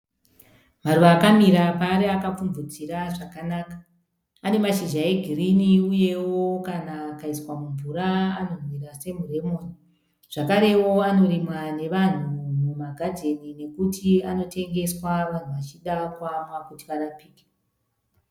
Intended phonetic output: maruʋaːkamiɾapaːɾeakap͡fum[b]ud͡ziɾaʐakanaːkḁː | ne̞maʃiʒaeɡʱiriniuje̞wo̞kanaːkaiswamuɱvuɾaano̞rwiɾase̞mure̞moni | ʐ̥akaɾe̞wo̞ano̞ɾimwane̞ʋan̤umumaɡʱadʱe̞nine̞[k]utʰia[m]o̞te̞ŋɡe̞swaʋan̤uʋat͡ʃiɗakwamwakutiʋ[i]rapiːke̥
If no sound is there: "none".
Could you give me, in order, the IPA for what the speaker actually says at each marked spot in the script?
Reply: v, k, n, a

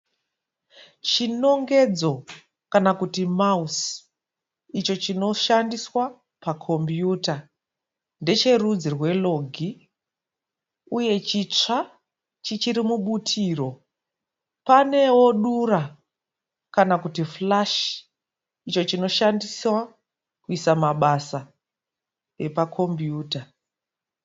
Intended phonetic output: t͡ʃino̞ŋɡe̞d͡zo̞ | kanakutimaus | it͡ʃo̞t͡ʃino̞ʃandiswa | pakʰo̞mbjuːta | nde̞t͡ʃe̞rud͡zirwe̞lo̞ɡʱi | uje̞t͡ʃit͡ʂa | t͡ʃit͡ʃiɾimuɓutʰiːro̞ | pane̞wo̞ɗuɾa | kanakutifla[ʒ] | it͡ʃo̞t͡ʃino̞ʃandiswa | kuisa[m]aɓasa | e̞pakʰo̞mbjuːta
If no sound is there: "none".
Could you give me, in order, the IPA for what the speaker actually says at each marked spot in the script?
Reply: ʃ, m

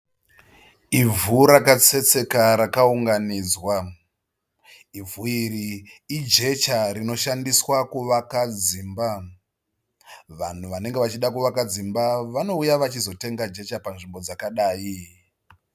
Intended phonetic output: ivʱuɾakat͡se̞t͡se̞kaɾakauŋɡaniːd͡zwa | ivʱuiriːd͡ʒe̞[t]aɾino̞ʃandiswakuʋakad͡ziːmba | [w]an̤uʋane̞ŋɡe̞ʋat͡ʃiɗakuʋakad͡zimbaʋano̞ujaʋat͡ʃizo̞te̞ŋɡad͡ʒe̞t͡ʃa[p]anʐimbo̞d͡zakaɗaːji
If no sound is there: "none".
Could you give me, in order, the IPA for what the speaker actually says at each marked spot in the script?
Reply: t͡ʃ, ʋ, p

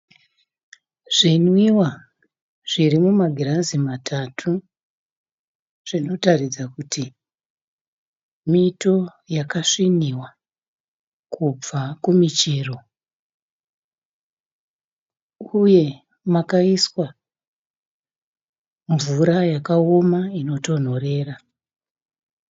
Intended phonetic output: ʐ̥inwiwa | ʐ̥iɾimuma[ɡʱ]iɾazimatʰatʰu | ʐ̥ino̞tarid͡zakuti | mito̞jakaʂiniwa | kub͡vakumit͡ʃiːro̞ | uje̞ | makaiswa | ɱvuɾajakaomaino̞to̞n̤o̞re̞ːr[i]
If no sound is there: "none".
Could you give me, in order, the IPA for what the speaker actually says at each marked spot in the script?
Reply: ɡʱ, a

